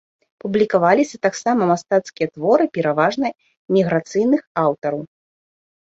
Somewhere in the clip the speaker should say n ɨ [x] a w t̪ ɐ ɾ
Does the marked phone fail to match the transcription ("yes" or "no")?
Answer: no